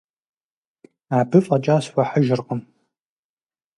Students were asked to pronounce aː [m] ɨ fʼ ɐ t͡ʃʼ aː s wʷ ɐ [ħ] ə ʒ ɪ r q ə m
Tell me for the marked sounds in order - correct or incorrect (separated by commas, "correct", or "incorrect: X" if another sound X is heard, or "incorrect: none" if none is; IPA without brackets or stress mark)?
incorrect: b, correct